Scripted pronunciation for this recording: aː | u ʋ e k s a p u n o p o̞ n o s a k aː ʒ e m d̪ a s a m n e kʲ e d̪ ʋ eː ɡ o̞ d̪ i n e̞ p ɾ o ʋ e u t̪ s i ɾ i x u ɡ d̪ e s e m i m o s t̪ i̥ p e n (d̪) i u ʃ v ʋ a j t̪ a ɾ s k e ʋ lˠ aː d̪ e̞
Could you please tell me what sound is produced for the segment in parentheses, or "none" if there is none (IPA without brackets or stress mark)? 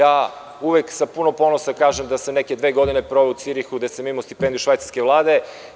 d̪